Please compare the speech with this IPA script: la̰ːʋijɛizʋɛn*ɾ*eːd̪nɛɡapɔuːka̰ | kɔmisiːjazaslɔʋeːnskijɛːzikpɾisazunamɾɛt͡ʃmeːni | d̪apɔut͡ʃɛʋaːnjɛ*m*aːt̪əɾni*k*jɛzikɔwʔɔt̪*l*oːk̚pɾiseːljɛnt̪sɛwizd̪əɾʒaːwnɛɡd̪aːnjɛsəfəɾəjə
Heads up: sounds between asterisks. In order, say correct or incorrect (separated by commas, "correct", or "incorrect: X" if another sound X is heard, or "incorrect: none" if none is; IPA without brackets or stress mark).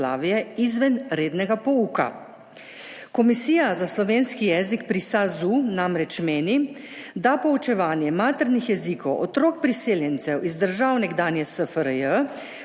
correct, correct, incorrect: x, incorrect: ɾ